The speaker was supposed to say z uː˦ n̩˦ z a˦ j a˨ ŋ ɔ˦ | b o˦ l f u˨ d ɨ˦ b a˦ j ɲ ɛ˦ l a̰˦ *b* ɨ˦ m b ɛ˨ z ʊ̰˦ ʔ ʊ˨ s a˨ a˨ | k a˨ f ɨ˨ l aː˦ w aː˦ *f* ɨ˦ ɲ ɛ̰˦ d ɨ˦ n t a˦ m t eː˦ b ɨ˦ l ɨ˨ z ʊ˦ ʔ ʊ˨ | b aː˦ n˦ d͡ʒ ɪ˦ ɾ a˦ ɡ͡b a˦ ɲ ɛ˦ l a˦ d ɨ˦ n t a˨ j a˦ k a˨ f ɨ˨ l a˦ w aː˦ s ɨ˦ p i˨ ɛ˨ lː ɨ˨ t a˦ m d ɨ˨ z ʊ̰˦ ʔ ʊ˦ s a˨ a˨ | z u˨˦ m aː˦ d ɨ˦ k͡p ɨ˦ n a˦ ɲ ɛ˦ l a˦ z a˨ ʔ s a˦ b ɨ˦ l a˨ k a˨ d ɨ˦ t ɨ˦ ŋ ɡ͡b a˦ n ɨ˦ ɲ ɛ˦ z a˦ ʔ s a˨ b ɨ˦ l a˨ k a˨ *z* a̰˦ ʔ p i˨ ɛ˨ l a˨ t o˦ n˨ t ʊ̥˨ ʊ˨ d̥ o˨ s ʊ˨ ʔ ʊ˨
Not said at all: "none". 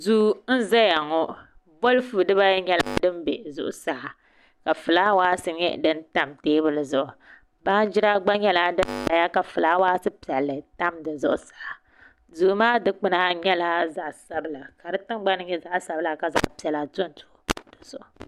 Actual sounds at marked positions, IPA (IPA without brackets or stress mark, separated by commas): d, s, z